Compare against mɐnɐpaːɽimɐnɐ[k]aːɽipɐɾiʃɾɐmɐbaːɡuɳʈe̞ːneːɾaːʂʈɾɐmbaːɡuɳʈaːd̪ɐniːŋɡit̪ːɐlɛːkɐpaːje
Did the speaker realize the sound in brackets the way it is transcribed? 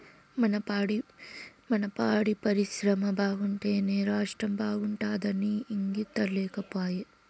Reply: no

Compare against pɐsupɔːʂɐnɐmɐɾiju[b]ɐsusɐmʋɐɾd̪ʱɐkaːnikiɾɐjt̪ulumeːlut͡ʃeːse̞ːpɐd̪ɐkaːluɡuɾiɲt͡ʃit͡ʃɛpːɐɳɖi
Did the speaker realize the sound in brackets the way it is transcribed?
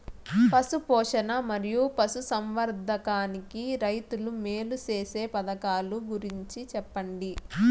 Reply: no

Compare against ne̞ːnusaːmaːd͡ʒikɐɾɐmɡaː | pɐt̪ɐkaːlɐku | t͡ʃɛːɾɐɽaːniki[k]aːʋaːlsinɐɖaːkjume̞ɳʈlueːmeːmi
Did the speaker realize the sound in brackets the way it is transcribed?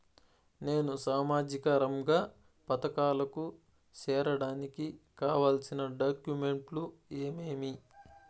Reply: yes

